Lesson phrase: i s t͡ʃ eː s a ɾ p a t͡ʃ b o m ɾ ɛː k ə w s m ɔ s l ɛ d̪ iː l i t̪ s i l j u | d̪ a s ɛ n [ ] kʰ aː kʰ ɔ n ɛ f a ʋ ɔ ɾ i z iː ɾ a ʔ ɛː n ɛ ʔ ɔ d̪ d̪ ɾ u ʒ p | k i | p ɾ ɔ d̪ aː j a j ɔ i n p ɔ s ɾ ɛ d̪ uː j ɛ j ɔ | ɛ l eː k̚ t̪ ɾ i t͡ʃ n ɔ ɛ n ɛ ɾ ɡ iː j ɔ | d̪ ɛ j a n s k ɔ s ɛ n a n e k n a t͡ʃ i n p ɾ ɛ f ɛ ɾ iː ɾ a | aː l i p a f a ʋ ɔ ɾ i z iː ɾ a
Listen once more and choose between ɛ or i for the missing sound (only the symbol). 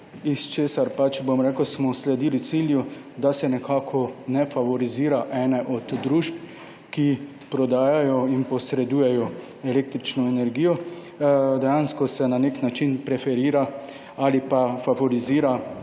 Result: ɛ